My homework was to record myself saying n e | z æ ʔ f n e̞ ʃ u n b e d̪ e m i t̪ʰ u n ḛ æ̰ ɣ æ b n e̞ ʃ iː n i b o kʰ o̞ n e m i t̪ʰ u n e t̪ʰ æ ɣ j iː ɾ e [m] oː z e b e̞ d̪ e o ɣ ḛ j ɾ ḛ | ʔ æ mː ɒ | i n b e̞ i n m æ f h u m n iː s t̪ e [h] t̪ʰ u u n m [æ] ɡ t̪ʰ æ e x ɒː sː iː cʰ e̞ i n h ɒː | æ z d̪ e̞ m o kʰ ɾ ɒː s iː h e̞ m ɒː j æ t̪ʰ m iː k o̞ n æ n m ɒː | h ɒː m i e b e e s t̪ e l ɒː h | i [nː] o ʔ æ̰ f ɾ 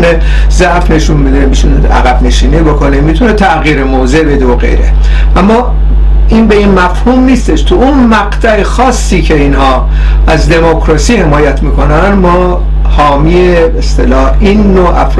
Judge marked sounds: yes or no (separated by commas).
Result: yes, no, yes, yes